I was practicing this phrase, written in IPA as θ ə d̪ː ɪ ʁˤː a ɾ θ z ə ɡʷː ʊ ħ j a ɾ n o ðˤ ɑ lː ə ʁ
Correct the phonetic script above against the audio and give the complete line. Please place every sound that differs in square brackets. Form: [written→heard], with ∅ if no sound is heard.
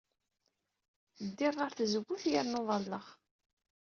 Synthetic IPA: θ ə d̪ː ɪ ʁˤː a ɾ θ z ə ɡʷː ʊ [ħ→θ] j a ɾ n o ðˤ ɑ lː ə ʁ